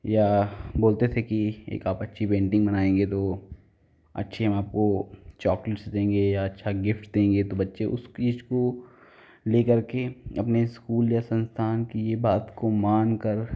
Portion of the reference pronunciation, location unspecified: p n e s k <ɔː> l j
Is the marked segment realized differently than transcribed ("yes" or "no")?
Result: yes